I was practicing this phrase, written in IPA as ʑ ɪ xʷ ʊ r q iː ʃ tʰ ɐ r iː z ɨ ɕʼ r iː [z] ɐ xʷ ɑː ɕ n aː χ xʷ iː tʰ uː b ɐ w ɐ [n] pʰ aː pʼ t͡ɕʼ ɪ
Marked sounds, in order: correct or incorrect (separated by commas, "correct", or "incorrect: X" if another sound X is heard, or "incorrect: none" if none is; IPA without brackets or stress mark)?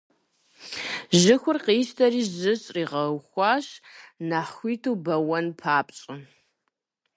incorrect: ʁ, correct